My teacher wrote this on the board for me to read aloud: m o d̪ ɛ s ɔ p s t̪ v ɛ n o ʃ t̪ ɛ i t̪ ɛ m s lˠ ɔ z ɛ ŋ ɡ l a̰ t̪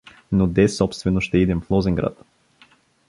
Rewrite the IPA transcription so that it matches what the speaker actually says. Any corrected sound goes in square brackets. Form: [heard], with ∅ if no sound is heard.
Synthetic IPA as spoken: [n] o d̪ ɛ s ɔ p s t̪ v ɛ n o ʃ t̪ ɛ i [d̪] ɛ m [f] lˠ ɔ z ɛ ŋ ɡ [ɾ] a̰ t̪